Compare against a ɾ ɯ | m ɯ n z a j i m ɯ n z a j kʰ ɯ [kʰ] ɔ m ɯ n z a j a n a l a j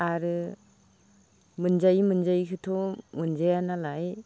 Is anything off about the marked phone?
yes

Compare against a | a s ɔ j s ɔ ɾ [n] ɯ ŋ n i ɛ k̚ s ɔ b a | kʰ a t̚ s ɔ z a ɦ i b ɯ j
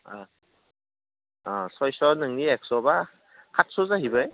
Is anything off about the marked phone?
no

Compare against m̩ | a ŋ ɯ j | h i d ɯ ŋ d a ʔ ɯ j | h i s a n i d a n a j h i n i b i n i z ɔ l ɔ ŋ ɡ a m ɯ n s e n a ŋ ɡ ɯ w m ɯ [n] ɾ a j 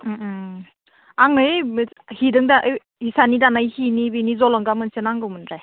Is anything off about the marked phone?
no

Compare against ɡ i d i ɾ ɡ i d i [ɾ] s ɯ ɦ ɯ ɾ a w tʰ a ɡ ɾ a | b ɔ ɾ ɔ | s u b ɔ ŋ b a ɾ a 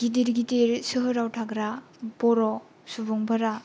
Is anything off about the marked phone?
no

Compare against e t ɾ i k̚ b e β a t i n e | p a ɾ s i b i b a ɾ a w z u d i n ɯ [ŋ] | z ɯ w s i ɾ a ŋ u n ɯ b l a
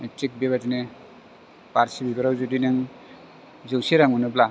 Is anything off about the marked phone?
no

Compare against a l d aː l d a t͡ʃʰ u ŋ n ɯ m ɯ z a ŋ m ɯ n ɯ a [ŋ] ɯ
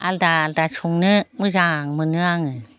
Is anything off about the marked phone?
no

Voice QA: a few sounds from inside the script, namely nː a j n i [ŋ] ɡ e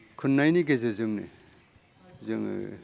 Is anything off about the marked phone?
yes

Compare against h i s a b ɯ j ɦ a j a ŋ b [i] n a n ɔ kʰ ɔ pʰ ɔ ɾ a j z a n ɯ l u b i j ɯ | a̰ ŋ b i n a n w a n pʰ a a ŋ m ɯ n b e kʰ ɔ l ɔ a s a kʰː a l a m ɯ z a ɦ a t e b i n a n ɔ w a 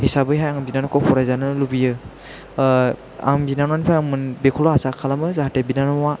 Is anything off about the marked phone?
no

